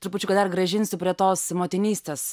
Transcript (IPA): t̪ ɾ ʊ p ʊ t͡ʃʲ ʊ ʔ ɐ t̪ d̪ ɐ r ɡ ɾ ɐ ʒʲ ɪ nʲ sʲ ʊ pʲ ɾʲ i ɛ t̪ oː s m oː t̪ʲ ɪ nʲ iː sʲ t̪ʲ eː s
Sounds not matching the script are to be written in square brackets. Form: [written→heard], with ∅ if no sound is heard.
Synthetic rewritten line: t̪ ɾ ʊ p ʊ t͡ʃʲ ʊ [ʔ→k] ɐ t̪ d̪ ɐ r ɡ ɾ ɐ ʒʲ ɪ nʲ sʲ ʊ pʲ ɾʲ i ɛ t̪ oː s m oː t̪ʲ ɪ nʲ iː sʲ t̪ʲ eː s